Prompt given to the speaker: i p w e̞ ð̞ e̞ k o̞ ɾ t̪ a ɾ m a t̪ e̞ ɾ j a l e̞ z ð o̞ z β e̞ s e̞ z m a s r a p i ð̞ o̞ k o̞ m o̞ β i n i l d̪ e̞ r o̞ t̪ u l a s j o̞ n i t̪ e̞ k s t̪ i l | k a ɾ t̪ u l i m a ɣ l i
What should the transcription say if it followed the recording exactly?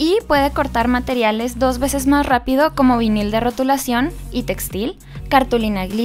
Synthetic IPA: i p w e̞ ð̞ e̞ k o̞ ɾ t̪ a ɾ m a t̪ e̞ ɾ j a l e̞ z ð o̞ z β e̞ s e̞ z m a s r a p i ð̞ o̞ k o̞ m o̞ β i n i l d̪ e̞ r o̞ t̪ u l a s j o̞ n i t̪ e̞ k s t̪ i l | k a ɾ t̪ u l i n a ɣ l i

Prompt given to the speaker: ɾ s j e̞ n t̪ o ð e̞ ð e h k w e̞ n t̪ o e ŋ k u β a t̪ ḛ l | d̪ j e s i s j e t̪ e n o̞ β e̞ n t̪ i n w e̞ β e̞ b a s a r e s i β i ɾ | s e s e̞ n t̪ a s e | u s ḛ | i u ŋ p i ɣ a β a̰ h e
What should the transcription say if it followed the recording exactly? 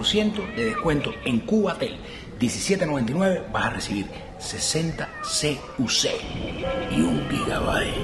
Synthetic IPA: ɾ s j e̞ n t̪ o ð e̞ ð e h k w e̞ n t̪ o e ŋ k u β a t̪ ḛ l | d̪ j e s i s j e t̪ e n o̞ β e̞ n t̪ i n w e̞ β e̞ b a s a r e s i β i ɾ | s e s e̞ n t̪ a s e | u s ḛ | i u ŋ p i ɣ a β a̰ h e

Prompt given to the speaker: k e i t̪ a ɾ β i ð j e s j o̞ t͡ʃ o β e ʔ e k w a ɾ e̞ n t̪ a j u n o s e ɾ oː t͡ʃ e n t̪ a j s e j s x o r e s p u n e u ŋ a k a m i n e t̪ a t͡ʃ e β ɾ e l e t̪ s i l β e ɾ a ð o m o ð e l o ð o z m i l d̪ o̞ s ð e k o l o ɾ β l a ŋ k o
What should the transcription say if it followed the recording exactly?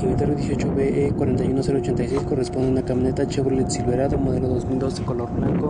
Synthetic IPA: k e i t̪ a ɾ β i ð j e s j o̞ t͡ʃ o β e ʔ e k w a ɾ e̞ n t̪ a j u n o s e ɾ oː t͡ʃ e n t̪ a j s e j s k o r e s p o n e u n a k a m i n e t̪ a t͡ʃ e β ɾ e l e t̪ s i l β e ɾ a ð o m o ð e l o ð o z m i l d̪ o̞ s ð e k o l o ɾ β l a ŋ k o

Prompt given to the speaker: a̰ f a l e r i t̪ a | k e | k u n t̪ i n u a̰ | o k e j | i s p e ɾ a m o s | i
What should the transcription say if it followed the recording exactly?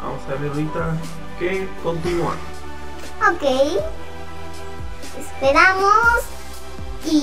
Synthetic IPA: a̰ s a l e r i t̪ a | k e | k o n t̪ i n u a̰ | o k e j | e s p e ɾ a m o s | i

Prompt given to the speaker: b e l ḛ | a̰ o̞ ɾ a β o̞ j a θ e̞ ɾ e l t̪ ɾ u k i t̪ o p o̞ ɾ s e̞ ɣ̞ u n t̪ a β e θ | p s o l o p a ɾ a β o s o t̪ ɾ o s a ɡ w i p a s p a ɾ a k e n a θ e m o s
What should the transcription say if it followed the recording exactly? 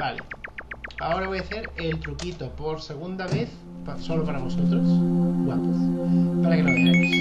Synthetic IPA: b a l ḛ | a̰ o̞ ɾ a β o̞ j a θ e̞ ɾ e l t̪ ɾ u k i t̪ o p o̞ ɾ s e̞ ɣ̞ u n d̪ a β e θ | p s o l o p a ɾ a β o s o t̪ ɾ o s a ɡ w a p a s p a ɾ a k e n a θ e m o s

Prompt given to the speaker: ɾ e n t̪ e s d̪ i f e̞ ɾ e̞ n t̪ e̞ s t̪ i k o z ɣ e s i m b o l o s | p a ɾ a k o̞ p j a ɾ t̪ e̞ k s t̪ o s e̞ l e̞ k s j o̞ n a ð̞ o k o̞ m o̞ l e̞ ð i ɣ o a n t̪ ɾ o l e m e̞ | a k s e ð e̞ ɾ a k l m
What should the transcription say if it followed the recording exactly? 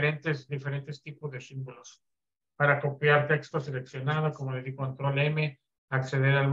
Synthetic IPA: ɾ e n t̪ e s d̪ i f e̞ ɾ e̞ n t̪ e̞ s t̪ i p o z ð e s i m b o l o s | p a ɾ a k o̞ p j a ɾ t̪ e̞ k s t̪ o s e̞ l e̞ k s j o̞ n a ð̞ o k o̞ m o̞ l e̞ ð i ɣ o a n t̪ ɾ o l e m e̞ | a k s e ð e̞ ɾ a l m

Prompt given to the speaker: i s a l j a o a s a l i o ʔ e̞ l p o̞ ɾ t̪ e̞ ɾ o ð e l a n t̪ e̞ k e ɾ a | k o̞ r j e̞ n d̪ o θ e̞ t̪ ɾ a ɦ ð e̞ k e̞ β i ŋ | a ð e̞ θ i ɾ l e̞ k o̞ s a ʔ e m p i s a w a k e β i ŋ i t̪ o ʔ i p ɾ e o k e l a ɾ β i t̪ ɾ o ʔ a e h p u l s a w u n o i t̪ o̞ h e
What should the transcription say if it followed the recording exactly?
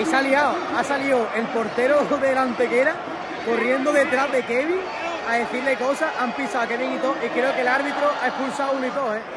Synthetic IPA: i s a l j a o a s a l i o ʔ e̞ l p o̞ ɾ t̪ e̞ ɾ o ð e l a n t̪ e̞ k e ɾ a | k o̞ r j e̞ n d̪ o ð e̞ t̪ ɾ a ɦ ð e̞ k e̞ β i ŋ | a ð e̞ θ i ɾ l e̞ k o̞ s a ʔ a m p i s a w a k e β i ŋ i t̪ o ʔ i k ɾ e o k e l a ɾ β i t̪ ɾ o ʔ a e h p u l s a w u n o i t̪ o̞ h e

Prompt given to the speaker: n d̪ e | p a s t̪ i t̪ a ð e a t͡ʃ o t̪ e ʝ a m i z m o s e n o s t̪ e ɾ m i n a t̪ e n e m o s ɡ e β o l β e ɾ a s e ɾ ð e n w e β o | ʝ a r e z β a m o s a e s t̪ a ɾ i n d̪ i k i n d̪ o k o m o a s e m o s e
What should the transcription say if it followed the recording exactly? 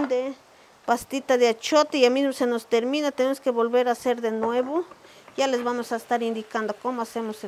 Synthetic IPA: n d̪ e | p a s t̪ i t̪ a ð e a t͡ʃ o t̪ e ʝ a m i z m o s e n o s t̪ e ɾ m i n a t̪ e n e m o s k e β o l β e ɾ a s e ɾ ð e n w e β o | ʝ a l e z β a m o s a e s t̪ a ɾ i n d̪ i k a n d̪ o k o m o a s e m o s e

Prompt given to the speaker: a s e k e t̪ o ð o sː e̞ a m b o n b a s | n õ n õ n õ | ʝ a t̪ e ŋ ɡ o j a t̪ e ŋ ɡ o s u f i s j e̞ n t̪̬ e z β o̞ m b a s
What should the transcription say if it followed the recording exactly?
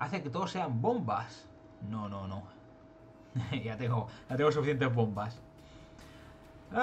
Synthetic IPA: a θ e k e t̪ o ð o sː e̞ a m b o m b a s | n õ n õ n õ | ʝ a t̪ e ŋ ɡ o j a t̪ e ŋ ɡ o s u f i θ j e̞ n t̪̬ e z β o̞ m b a s

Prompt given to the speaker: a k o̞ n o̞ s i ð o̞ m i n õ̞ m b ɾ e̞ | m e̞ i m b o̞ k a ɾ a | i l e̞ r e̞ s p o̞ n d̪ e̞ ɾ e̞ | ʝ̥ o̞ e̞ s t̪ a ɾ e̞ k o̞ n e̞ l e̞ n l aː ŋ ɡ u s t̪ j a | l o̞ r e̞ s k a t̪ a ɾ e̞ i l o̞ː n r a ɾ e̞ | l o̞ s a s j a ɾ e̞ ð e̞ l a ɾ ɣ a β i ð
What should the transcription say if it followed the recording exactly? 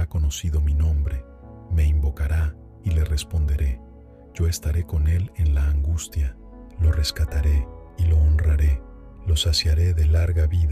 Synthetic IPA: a k o̞ n o̞ s i ð o̞ m i n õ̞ m b ɾ e̞ | m e̞ i m b o̞ k a ɾ a | i l e̞ r e̞ s p o̞ n d̪ e̞ ɾ e̞ | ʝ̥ o̞ e̞ s t̪ a ɾ e̞ k o̞ n e̞ l e̞ n l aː ŋ ɡ u s t̪ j a | l o̞ r e̞ s k a t̪ a ɾ e̞ i l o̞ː n r a ɾ e̞ | l o̞ s a s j a ɾ e̞ ð e̞ l a ɾ ɣ a β i ð

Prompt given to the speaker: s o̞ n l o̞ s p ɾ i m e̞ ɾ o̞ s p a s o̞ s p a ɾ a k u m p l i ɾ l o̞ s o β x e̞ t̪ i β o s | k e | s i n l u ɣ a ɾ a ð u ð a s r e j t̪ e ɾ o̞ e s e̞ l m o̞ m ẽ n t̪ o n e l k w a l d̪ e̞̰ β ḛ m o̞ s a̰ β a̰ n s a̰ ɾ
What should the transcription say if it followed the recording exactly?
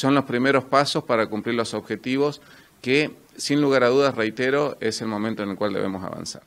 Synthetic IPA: s o̞ n l o̞ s p ɾ i m e̞ ɾ o̞ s p a s o̞ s p a ɾ a k u m p l i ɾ l o̞ s o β x e̞ t̪ i β o s | k e | s i n l u ɣ a ɾ a ð u ð a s r e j t̪ e ɾ o̞ e s e̞ l m o̞ m ẽ n t̪ o n e l k w a l d̪ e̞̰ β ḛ m o̞ s a̰ β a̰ n s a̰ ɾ

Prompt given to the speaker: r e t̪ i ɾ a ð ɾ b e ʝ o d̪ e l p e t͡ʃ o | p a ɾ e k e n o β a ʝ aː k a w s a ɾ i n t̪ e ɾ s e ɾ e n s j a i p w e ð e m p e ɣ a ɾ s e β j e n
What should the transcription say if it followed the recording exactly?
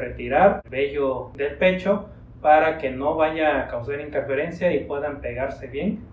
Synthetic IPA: r e t̪ i ɾ a ɾ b e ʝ o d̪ e l p e t͡ʃ o | p a ɾ a k e n o β a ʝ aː k a w s a ɾ i n t̪ e ɾ f e ɾ e n s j a i p w e ð a m p e ɣ a ɾ s e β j e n

